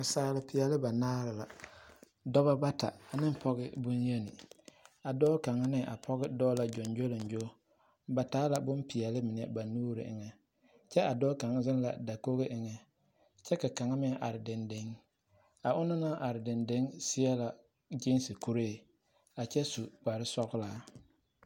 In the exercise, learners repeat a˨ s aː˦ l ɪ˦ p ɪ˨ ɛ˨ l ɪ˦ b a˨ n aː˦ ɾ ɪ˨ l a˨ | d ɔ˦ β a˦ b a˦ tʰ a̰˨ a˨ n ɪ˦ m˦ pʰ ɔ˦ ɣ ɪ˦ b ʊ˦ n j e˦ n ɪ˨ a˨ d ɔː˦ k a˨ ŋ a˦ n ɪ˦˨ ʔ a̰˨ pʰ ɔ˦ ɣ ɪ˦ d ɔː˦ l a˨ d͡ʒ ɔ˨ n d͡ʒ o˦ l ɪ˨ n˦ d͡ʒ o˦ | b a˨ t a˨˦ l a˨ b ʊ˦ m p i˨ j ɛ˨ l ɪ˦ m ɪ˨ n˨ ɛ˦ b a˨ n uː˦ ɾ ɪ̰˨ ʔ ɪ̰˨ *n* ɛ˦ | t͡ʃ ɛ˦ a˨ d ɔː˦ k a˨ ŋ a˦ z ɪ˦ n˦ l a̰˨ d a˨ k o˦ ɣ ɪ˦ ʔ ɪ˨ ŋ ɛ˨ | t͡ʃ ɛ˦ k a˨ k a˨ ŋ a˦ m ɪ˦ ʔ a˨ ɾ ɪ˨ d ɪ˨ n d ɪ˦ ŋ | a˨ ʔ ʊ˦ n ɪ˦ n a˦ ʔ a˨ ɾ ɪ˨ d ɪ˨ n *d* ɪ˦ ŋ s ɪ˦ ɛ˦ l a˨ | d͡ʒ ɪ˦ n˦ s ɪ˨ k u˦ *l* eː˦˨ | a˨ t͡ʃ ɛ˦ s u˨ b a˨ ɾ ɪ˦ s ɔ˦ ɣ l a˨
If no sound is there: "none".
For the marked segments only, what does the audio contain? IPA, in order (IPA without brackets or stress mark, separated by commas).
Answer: ŋ, d, ɾ